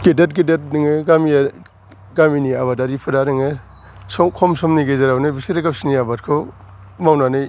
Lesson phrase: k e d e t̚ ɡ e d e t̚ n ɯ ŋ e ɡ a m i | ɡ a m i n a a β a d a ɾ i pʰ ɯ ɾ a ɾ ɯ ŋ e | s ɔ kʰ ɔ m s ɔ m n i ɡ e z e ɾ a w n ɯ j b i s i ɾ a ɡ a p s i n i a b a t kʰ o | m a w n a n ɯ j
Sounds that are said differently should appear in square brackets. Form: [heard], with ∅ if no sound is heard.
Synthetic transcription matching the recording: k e d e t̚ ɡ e d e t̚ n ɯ ŋ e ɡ a m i | ɡ a m i n [i] a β a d a ɾ i pʰ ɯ ɾ a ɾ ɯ ŋ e | s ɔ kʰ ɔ m s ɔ m n i ɡ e z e ɾ a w n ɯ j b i s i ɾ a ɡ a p s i n i a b a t kʰ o | m a w n a n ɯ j